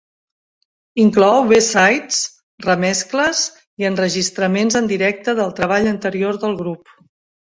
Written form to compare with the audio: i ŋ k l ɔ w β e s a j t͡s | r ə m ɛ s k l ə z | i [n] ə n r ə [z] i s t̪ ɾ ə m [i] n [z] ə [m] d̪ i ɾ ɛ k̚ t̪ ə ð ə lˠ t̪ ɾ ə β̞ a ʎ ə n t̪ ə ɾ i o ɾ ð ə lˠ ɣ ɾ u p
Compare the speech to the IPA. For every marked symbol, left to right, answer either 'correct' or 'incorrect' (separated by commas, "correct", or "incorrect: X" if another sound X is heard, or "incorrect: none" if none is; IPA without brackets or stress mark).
incorrect: none, incorrect: ʒ, incorrect: e, correct, incorrect: n